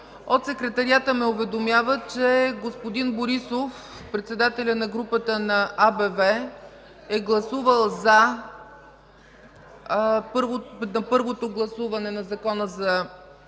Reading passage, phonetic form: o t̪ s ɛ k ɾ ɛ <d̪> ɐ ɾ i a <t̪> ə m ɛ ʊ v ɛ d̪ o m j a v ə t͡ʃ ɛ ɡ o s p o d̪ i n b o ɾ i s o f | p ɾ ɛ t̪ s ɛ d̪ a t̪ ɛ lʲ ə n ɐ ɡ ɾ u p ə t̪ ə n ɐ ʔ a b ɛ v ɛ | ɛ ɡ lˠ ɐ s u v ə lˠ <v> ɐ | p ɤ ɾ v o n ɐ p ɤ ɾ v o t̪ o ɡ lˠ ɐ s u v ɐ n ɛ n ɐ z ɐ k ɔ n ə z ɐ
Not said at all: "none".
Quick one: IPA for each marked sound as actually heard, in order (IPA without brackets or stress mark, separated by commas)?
t̪, t̪, z